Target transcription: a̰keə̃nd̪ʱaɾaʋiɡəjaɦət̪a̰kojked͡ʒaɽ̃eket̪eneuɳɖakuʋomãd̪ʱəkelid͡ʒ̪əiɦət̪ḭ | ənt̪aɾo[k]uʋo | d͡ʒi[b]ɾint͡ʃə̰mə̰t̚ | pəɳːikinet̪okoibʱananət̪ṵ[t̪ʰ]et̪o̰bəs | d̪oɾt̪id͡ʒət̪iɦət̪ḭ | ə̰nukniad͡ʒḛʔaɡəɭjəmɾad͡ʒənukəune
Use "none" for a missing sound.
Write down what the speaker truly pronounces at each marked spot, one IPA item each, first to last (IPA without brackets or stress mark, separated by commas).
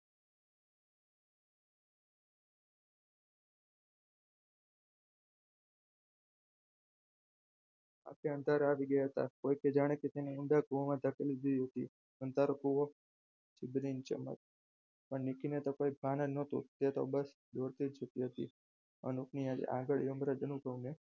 k, b, t̪